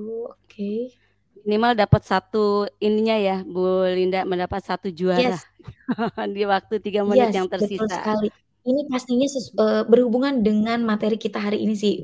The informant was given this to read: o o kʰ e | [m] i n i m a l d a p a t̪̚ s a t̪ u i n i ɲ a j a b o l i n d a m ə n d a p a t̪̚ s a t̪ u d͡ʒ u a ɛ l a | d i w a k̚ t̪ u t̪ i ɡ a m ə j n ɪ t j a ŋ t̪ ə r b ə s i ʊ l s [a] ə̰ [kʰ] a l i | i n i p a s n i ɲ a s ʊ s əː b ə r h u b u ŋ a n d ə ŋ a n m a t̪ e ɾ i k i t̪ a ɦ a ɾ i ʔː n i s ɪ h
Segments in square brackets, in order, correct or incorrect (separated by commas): correct, correct, incorrect